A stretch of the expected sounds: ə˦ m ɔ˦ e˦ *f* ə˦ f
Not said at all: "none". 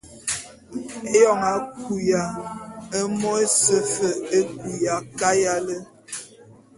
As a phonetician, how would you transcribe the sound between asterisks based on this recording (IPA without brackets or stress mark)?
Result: s